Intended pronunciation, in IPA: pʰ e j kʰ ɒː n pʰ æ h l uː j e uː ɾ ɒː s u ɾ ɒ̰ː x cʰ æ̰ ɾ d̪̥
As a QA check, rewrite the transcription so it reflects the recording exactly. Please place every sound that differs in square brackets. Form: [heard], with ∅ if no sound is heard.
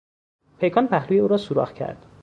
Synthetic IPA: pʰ e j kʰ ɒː n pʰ æ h l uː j e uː ɾ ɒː s u ɾ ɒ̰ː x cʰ æ̰ ɾ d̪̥